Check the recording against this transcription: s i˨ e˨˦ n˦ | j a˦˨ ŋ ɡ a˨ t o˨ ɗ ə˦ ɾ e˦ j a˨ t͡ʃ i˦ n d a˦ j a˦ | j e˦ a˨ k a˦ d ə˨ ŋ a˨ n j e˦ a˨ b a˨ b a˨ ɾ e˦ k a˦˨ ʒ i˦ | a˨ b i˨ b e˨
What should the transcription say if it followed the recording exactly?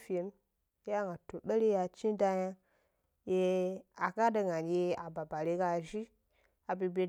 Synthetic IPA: f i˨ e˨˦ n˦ | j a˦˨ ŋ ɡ a˨ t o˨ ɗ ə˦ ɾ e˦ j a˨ t͡ʃ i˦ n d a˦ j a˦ | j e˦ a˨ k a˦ d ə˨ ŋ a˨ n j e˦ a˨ b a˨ b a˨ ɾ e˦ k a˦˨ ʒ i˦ | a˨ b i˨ b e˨